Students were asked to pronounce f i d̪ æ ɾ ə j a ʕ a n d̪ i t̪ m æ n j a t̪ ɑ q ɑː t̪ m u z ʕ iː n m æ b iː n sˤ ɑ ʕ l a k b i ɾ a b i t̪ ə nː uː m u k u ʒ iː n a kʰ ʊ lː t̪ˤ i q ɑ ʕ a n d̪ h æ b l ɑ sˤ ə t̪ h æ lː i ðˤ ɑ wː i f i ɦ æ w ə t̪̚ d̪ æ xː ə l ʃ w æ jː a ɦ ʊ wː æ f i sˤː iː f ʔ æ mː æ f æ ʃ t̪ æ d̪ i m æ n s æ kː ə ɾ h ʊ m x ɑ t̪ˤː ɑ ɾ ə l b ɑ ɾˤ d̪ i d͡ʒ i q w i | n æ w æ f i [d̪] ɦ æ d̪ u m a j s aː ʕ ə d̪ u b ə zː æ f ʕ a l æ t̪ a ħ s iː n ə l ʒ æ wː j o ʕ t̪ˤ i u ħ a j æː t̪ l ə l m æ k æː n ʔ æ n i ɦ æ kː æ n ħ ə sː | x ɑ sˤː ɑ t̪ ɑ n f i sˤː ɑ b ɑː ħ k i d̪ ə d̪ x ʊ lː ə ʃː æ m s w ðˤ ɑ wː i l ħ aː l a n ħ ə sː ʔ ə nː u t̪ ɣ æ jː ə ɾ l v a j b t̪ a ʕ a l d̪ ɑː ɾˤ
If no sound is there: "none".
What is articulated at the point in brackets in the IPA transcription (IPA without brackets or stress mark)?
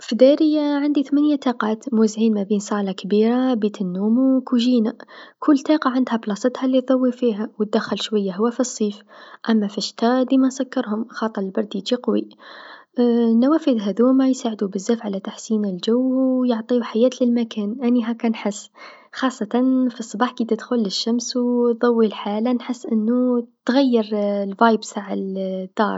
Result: d̪